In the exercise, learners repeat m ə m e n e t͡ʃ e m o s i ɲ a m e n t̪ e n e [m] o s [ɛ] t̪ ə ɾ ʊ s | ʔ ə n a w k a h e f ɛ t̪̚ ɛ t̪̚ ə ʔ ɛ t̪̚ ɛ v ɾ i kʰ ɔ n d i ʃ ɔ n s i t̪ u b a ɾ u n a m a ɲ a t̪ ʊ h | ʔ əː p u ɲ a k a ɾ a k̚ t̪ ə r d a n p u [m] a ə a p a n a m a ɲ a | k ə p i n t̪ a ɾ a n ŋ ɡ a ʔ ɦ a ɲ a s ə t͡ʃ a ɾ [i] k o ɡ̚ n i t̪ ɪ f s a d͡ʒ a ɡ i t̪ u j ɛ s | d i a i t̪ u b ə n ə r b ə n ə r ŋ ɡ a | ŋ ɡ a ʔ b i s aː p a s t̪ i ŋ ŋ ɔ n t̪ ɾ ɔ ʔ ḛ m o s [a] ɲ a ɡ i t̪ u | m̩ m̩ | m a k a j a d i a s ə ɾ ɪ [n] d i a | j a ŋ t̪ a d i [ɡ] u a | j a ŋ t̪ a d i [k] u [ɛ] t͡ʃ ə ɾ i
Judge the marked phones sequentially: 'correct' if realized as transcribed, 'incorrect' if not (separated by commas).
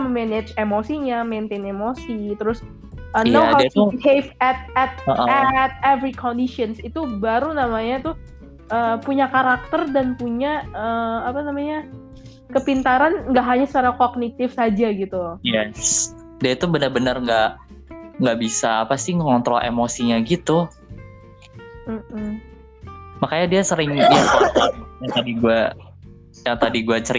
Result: correct, incorrect, incorrect, incorrect, incorrect, incorrect, correct, incorrect, incorrect